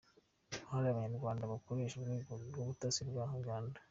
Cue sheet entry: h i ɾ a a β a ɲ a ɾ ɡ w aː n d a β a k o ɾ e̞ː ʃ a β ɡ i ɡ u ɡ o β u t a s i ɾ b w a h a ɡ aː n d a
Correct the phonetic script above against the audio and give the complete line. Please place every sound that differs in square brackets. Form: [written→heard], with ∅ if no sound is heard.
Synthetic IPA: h [i→a] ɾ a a β a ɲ a ɾ ɡ w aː n d a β a k o ɾ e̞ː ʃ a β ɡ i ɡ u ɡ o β u t a s i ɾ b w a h a ɡ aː n d a